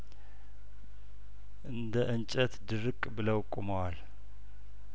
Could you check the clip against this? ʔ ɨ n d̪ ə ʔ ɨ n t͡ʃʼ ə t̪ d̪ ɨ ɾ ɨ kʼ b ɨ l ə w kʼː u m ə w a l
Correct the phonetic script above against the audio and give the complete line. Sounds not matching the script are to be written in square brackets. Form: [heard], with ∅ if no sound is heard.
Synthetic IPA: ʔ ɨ n d̪ ə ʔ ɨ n t͡ʃʼ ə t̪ d̪ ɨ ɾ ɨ kʼ b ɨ l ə w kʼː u m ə w a l